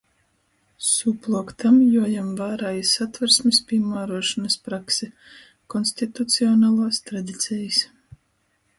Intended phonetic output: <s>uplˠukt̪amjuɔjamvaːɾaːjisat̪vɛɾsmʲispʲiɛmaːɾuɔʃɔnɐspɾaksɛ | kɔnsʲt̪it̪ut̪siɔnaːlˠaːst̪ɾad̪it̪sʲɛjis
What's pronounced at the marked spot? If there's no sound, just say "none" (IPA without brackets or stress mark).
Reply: s